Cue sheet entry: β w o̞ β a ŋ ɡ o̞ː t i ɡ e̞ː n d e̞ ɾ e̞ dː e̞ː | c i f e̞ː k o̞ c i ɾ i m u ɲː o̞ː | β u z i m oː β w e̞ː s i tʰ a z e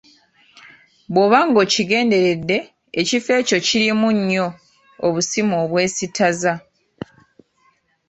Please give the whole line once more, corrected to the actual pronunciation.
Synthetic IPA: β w o̞ β a ŋ ɡ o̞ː c i ɡ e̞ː n d e̞ ɾ e̞ dː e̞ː | c i f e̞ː c o̞ c i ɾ i m u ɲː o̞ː | β u s i m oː β w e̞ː s i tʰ a z a